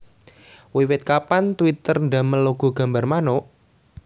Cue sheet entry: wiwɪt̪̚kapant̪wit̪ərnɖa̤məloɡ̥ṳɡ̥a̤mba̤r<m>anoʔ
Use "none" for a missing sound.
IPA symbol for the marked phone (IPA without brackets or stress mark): m